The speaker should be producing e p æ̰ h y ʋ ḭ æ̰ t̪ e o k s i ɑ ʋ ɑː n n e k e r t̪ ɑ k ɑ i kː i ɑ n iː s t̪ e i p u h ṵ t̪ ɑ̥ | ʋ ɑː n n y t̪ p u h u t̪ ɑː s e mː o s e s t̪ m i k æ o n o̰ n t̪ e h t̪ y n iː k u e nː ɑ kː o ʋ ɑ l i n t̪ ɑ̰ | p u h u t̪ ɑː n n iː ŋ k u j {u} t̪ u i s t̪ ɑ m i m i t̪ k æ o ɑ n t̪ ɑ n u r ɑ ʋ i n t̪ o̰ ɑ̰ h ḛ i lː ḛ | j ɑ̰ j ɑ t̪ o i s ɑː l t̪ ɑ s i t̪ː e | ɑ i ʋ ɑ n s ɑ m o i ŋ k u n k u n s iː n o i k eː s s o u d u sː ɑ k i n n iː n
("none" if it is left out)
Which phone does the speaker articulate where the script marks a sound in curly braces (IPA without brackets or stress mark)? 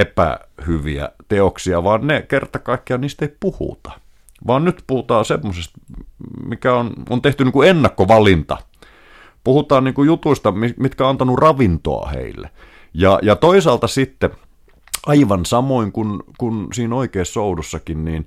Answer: u